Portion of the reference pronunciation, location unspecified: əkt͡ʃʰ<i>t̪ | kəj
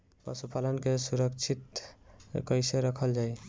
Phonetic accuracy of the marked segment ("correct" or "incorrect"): correct